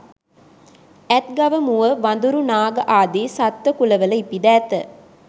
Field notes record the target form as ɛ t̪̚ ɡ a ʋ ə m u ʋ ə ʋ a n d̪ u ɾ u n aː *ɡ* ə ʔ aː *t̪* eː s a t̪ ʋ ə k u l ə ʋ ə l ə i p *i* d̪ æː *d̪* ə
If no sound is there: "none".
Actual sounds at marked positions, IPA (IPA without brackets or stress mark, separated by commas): ɡ, d̪, i, t̪